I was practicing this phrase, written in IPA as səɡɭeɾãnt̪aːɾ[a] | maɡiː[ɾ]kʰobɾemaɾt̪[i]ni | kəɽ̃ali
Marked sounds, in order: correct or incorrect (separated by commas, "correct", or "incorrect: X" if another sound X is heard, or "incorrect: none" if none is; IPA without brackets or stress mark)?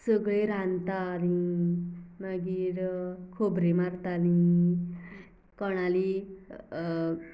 incorrect: i, correct, incorrect: a